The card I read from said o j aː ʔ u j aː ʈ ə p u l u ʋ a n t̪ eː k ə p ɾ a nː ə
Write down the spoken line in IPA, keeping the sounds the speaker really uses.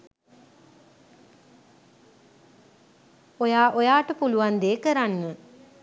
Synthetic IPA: o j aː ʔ o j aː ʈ ə p u l u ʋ a n d̪ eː k ə ɾ a nː ə